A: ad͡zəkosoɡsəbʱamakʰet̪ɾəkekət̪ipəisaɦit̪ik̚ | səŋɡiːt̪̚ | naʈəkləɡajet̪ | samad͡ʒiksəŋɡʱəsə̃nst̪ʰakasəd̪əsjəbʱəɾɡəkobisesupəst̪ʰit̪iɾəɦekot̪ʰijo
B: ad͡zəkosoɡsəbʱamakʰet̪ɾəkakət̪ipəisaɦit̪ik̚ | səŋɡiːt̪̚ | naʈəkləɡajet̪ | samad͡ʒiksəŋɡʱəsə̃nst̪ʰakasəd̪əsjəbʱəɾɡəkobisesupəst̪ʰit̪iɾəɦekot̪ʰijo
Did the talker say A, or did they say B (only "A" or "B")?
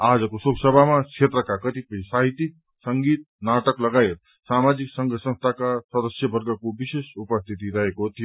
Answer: B